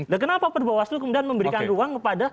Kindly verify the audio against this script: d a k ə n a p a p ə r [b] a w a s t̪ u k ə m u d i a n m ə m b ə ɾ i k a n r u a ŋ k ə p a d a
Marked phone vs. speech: correct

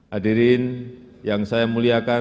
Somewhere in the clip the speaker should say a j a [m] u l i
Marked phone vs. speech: correct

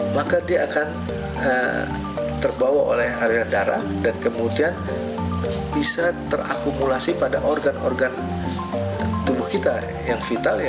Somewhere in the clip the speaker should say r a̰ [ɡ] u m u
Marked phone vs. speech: incorrect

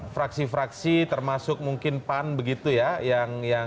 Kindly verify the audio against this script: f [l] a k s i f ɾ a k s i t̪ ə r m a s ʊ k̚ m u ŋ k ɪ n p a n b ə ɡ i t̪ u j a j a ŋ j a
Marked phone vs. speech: incorrect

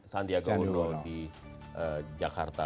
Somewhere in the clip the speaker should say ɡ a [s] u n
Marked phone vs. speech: incorrect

